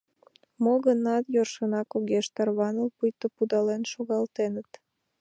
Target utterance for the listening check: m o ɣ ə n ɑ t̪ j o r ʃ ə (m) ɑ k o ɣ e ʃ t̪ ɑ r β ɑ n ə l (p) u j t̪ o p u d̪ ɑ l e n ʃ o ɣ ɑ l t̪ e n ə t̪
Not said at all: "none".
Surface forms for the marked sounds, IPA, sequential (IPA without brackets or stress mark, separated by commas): n, p